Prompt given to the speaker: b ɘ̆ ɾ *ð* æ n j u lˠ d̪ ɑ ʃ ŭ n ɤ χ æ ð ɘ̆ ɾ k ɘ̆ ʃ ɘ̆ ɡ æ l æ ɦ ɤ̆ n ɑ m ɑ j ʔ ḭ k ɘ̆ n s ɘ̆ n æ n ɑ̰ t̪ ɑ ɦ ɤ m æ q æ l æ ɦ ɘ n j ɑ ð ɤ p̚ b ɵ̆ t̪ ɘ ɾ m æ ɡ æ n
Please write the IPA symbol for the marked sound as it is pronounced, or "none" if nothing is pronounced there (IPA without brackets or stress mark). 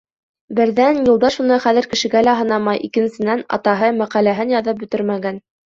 ð